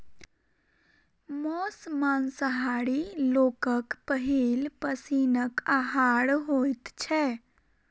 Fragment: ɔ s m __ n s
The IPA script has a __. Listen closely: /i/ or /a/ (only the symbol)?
a